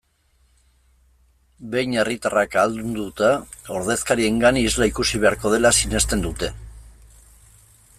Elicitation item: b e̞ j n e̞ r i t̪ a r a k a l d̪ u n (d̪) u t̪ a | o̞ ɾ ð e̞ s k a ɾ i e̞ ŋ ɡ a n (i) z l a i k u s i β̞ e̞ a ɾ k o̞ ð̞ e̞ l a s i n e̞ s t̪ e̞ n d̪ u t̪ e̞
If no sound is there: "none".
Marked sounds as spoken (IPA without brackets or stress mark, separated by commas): d̪, i